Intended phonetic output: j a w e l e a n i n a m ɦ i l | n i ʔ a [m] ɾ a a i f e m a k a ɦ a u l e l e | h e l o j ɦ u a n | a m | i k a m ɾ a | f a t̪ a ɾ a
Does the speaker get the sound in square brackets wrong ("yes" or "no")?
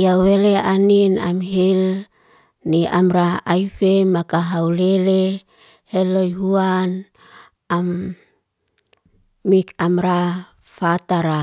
no